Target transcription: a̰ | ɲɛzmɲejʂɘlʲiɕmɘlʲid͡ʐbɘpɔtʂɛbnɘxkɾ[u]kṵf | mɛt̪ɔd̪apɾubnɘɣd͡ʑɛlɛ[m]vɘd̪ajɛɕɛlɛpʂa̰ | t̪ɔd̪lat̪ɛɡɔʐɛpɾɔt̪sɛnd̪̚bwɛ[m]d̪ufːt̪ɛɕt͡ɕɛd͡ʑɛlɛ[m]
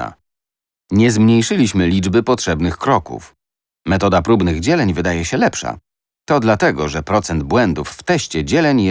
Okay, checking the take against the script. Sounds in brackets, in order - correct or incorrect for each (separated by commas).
incorrect, incorrect, incorrect, incorrect